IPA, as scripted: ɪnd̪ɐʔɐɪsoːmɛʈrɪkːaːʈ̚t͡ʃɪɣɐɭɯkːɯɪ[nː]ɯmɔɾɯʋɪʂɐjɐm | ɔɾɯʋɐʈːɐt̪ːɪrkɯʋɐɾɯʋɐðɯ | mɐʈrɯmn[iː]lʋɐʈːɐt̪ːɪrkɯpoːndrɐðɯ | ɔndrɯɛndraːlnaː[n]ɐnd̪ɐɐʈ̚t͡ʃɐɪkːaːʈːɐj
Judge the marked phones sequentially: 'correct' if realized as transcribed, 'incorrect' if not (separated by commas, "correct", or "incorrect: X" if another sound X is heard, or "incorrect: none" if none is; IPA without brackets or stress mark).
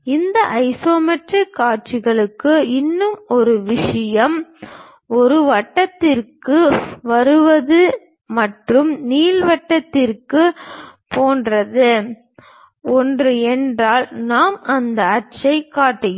correct, correct, incorrect: m